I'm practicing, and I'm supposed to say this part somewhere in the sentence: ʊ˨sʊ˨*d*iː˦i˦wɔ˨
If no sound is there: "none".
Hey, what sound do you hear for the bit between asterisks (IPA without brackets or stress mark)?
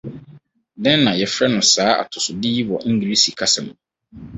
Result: d